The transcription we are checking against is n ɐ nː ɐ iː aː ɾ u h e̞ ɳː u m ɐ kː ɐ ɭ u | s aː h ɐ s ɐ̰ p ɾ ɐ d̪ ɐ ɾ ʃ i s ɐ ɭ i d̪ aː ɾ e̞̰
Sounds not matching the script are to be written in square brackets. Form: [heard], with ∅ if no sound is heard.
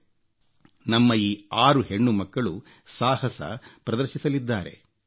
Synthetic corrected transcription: n ɐ [mː] ɐ iː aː ɾ u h e̞ ɳː u m ɐ kː ɐ ɭ u | s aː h ɐ s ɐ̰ p ɾ ɐ d̪ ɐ ɾ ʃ i s ɐ [l] i [d̪ː] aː ɾ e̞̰